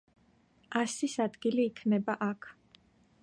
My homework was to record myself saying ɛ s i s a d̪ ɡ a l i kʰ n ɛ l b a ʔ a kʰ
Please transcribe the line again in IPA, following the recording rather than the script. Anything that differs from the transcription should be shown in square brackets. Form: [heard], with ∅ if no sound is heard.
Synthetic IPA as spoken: [a] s i s a d̪ ɡ [i] l [iː] kʰ n ɛ [∅] b a ʔ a kʰ

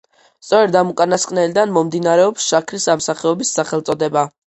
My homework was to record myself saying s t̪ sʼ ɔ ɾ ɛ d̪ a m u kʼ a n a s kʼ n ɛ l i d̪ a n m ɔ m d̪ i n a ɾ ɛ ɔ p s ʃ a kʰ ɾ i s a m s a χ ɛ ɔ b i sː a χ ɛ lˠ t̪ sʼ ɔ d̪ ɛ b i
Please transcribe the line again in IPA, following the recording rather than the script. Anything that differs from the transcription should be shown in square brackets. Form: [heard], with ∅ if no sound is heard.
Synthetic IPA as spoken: s t̪ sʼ ɔ ɾ ɛ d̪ a m u kʼ a n a s kʼ n ɛ l i d̪ a n m ɔ m d̪ i n a ɾ ɛ ɔ p s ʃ a kʰ ɾ i s a m s a χ ɛ ɔ b i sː a χ ɛ lˠ t̪ sʼ ɔ d̪ ɛ b [a]

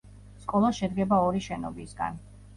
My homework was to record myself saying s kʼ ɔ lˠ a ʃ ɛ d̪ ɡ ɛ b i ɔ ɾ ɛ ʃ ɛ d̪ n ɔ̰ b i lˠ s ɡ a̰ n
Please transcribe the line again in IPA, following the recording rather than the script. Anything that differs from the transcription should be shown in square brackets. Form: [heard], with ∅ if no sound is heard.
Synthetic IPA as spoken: s kʼ ɔ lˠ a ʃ ɛ d̪ ɡ ɛ b [a] ɔ ɾ [i] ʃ ɛ [∅] n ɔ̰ b i [∅] s ɡ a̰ n

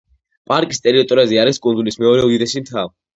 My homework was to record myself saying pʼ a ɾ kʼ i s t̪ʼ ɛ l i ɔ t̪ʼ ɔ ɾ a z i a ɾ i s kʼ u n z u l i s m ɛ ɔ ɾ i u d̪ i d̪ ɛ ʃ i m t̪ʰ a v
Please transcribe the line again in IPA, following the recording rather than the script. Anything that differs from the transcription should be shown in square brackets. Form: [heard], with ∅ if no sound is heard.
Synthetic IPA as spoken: pʼ a ɾ kʼ i s t̪ʼ ɛ [ɾ] i ɔ t̪ʼ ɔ ɾ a z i a ɾ i s kʼ u n z u l i s m ɛ ɔ ɾ [ɛ] u d̪ i d̪ ɛ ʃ i m t̪ʰ a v

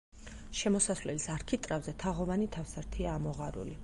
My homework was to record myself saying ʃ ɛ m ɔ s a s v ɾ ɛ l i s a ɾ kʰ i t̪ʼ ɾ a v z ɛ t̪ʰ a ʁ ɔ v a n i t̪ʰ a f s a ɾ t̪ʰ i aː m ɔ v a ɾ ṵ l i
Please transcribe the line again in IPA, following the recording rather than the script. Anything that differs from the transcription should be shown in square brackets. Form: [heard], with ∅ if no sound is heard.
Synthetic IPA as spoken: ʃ ɛ m ɔ s a s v [l] ɛ l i s a ɾ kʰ i t̪ʼ ɾ a v z ɛ t̪ʰ a ʁ ɔ v a n i t̪ʰ a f s a ɾ t̪ʰ i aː m ɔ [ʁ] a ɾ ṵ l i

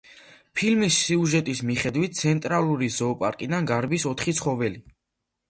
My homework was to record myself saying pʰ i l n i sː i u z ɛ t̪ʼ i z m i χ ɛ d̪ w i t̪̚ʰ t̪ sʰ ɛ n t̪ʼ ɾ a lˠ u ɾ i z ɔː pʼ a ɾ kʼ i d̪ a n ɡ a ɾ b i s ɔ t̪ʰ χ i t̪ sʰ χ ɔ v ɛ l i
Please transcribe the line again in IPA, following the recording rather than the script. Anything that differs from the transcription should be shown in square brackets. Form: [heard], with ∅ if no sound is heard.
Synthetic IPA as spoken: pʰ i l [m] i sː i u [ʒ] ɛ t̪ʼ i [s] m i χ ɛ d̪ w i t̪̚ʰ t̪ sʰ ɛ n t̪ʼ ɾ a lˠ u ɾ i z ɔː pʼ a ɾ kʼ i d̪ a n ɡ a ɾ b i s ɔ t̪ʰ χ i t̪ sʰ χ ɔ v ɛ l i

